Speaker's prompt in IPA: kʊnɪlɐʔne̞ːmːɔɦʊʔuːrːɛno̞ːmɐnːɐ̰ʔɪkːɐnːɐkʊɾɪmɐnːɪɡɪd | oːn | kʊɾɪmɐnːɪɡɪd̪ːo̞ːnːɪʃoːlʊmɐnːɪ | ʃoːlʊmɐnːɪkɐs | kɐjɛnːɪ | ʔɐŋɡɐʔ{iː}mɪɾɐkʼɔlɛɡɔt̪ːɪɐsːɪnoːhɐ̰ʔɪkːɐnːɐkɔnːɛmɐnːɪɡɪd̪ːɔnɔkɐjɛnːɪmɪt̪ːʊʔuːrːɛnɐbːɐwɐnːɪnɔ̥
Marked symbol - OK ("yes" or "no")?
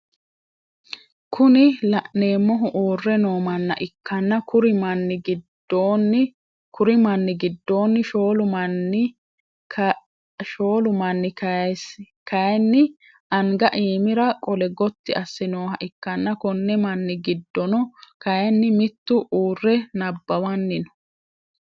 yes